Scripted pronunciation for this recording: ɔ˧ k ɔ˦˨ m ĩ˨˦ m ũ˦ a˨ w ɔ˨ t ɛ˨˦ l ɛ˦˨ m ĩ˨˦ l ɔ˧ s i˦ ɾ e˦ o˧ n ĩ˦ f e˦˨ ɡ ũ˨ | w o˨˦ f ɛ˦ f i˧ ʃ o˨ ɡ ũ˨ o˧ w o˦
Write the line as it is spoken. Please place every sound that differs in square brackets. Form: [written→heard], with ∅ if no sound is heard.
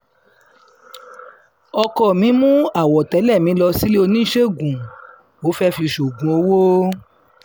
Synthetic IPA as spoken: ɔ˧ k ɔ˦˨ m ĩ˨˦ m ũ˦ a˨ w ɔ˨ t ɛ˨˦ l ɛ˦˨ m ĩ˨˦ l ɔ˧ s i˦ [ɾ→l] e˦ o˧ n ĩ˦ [f→ʃ] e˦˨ ɡ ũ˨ | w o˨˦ f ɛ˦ f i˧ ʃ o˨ ɡ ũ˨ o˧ w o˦

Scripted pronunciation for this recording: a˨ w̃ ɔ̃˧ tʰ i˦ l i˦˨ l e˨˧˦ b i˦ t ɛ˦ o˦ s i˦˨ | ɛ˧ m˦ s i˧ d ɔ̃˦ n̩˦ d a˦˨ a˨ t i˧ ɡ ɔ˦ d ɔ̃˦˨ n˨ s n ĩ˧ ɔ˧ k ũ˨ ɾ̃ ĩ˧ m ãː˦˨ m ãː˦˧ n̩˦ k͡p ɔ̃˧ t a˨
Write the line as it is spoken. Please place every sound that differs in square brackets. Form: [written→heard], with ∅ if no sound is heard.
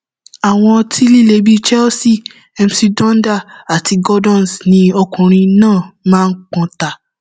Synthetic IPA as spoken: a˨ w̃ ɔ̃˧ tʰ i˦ l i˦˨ l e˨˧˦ b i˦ [t→t͡ʃ] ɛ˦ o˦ s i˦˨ | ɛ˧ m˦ s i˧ d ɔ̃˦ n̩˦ d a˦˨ a˨ t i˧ ɡ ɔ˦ d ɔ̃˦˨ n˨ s n ĩ˧ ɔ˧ k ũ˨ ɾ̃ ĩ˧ [m→n] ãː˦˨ m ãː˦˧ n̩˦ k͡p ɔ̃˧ t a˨

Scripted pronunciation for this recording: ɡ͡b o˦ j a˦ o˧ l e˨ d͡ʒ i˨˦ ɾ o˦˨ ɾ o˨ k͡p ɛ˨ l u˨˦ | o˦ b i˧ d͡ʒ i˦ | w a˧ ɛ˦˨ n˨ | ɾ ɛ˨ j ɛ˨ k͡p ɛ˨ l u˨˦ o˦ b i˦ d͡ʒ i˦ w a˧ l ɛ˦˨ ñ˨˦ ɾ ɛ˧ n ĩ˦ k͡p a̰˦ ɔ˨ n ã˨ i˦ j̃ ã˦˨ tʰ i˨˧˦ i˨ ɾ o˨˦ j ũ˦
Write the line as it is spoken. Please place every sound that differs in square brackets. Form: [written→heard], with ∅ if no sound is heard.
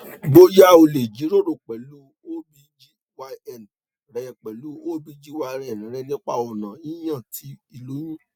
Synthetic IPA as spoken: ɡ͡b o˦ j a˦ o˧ l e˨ d͡ʒ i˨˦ ɾ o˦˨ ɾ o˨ k͡p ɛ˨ l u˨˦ | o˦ b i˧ d͡ʒ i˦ | w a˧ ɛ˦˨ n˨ | ɾ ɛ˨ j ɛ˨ k͡p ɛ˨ l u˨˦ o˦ b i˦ d͡ʒ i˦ w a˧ [l→ɾ] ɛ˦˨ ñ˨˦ ɾ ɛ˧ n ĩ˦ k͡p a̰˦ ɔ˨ n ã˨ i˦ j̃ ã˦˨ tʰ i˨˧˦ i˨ [ɾ→l] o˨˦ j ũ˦

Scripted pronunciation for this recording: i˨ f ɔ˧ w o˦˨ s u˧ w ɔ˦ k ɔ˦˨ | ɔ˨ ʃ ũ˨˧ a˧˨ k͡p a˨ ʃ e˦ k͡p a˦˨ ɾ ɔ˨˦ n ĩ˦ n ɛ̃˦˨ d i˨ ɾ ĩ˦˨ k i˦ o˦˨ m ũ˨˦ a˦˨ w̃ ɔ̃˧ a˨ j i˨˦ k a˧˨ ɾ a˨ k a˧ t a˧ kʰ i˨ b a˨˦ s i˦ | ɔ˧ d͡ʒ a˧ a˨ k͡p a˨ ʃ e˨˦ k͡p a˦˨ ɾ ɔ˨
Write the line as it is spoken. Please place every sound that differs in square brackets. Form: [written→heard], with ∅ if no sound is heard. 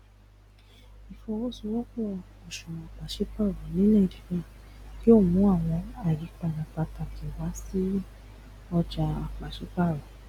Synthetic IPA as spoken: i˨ f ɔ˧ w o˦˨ s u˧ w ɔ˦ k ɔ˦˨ | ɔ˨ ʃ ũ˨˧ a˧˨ k͡p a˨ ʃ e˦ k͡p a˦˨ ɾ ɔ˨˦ n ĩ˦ n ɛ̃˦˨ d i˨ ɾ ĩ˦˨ k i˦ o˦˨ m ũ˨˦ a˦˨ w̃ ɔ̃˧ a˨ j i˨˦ [k→k͡p] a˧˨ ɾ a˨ [k→k͡p] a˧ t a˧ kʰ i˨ [b→w] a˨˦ s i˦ | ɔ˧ d͡ʒ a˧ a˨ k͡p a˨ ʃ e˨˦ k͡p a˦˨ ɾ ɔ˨

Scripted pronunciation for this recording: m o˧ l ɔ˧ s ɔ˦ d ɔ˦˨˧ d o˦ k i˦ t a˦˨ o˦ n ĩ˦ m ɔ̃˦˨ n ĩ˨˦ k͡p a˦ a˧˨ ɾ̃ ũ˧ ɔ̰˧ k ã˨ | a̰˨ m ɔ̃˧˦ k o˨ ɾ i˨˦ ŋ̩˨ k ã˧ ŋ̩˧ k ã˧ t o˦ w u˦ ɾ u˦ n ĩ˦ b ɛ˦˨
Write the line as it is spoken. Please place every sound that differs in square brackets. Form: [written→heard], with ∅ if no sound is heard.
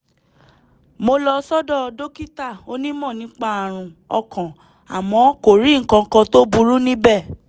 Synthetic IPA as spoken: m o˧ l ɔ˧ s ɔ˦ d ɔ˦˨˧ d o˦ k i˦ t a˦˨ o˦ n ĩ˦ m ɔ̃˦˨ n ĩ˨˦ k͡p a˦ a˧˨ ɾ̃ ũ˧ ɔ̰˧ k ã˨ | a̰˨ m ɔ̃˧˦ k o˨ ɾ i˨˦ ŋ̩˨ k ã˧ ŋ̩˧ k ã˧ t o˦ [w→b] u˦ ɾ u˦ n ĩ˦ b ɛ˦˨

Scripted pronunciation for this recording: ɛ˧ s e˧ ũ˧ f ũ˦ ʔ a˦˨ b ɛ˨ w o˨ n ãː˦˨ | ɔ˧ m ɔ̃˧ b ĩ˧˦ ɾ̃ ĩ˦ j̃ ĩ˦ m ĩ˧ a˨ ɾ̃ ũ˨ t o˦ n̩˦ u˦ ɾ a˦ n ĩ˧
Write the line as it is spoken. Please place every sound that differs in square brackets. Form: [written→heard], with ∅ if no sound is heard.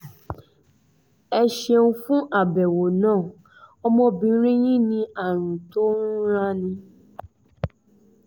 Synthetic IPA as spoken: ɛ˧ [s→ʃ] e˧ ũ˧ f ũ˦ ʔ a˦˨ b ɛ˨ w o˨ n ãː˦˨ | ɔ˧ m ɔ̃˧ b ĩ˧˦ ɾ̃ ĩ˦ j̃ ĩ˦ [m→n] ĩ˧ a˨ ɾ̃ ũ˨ t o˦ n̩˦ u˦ ɾ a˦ n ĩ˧

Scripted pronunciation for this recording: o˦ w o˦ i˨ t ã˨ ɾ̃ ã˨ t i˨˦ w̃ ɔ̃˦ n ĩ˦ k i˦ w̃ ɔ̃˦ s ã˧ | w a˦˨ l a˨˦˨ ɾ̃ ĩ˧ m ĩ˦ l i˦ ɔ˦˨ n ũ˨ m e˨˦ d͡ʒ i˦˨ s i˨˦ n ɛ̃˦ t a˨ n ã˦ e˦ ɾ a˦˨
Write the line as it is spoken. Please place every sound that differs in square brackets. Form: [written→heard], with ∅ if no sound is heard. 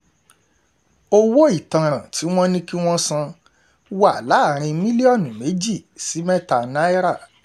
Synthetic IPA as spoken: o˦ w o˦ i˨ t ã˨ ɾ̃ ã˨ t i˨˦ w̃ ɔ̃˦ n ĩ˦ k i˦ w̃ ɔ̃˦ s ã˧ | w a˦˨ l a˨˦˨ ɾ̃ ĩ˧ m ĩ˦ l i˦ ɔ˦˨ n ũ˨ m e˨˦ d͡ʒ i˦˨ s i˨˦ [n→m] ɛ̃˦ t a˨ n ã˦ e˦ ɾ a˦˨

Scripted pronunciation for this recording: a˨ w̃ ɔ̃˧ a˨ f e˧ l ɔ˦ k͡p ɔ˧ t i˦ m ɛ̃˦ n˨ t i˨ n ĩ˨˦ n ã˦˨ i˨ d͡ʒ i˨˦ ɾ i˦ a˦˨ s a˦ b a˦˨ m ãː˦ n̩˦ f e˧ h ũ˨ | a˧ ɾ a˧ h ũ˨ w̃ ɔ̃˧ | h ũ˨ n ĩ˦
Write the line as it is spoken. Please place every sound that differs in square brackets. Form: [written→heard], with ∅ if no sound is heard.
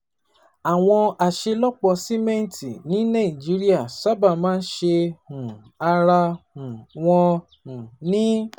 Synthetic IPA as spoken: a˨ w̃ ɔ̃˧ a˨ [f→ʃ] e˧ l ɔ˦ k͡p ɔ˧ [t→s] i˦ m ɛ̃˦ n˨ t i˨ n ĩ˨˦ n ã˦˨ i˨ d͡ʒ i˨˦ ɾ i˦ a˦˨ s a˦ b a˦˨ m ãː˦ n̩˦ [f→ʃ] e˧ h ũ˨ | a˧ ɾ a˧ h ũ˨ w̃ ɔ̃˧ | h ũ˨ n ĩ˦

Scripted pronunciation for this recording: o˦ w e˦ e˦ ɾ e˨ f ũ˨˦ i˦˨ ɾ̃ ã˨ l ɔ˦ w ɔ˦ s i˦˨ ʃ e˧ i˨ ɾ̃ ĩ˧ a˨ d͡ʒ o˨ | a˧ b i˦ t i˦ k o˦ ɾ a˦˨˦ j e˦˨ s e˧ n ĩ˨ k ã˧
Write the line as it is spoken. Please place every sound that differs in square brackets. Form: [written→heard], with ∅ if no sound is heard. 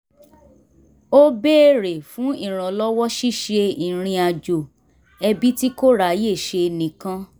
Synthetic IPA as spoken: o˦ [w→b] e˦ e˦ ɾ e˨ f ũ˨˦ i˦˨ ɾ̃ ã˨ l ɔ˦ w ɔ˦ [s→ʃ] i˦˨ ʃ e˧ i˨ ɾ̃ ĩ˧ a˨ d͡ʒ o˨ | [a˧→ɛ˧] b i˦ t i˦ k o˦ ɾ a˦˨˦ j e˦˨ [s→ʃ] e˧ n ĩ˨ k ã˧

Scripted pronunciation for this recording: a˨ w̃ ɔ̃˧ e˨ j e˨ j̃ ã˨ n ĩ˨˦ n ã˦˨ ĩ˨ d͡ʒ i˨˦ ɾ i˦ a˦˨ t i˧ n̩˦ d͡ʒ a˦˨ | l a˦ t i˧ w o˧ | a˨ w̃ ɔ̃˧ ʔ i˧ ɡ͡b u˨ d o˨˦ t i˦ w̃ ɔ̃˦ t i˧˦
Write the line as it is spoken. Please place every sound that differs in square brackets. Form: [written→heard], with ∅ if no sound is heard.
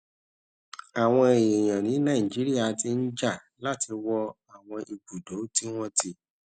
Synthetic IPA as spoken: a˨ w̃ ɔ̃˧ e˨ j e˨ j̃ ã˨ n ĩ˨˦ n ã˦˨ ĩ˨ d͡ʒ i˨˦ ɾ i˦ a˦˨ t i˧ n̩˦ d͡ʒ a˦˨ | l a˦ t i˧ w [o˧→ɔ˧] | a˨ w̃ ɔ̃˧ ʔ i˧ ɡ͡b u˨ d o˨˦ t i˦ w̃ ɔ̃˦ t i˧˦

